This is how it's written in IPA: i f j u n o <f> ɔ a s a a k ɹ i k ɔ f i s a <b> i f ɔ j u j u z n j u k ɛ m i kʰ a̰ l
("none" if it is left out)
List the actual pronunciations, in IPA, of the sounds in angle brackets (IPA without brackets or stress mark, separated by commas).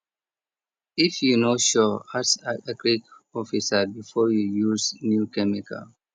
ʃ, b